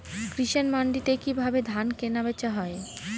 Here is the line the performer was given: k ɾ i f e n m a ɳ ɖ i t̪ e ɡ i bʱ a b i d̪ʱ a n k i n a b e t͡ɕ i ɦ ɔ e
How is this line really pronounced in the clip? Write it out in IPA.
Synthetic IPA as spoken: k ɾ i ʃ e n m a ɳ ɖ i t̪ e k i bʱ a b e d̪ʱ a n k e n a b e t͡ɕ a ɦ ɔ e